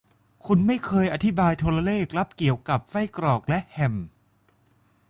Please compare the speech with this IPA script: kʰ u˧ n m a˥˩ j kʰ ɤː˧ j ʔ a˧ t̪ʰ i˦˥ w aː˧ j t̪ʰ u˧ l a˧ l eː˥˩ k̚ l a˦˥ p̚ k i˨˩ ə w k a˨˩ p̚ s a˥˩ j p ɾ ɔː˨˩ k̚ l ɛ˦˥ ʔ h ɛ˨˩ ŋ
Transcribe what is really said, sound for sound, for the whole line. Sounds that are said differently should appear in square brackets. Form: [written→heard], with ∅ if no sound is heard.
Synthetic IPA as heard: kʰ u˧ n m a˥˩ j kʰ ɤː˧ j ʔ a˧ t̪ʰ i˦˥ [w→b] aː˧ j t̪ʰ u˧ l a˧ l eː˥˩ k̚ l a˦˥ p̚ k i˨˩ ə w k a˨˩ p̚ [s→f] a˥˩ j [p→k] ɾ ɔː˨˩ k̚ l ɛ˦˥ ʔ h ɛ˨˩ [ŋ→m]